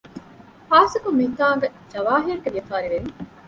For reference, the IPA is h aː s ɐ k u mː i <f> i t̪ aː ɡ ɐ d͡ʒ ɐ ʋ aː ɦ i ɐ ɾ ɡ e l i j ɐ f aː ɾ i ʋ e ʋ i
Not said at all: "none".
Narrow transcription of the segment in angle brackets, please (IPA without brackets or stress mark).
none